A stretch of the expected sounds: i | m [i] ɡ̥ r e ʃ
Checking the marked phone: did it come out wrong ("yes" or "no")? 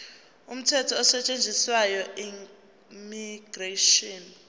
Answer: no